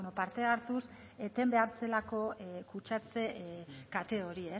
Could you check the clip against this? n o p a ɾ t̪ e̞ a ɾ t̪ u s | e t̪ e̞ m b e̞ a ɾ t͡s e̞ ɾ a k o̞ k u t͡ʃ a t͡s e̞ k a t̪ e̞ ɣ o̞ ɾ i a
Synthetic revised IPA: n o p a ɾ t̪ e̞ a ɾ t̪ u s | e t̪ e̞ m b e̞ a ɾ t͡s e̞ l a k o̞ k u t͡ʃ a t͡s e̞ k a t̪ e̞ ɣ o̞ ɾ i e